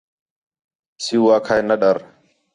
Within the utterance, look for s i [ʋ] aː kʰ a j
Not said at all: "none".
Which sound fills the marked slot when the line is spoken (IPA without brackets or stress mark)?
w